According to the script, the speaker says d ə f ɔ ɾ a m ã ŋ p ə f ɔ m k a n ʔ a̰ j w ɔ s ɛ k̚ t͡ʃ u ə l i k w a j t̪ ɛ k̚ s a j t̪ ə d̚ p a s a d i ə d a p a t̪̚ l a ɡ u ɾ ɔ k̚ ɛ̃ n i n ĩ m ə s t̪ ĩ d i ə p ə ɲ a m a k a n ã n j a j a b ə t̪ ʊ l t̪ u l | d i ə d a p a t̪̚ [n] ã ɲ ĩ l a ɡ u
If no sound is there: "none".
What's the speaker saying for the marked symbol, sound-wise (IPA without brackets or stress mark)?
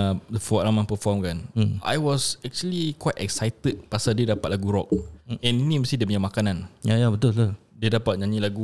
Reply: ɲ